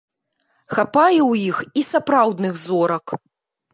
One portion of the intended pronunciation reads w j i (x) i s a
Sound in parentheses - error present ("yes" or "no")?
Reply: no